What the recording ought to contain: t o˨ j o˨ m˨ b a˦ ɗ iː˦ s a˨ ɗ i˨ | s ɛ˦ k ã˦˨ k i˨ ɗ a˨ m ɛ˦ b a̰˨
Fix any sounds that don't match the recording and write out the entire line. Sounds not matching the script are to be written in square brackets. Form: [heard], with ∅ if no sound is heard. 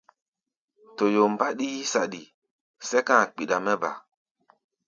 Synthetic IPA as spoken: t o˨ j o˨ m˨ b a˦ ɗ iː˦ s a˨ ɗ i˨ | s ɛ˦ k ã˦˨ [k͡p] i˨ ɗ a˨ m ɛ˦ b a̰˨